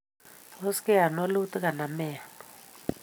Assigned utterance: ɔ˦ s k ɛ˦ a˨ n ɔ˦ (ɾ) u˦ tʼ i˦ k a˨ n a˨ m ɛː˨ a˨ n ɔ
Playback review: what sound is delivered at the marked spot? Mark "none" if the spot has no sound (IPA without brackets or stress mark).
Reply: l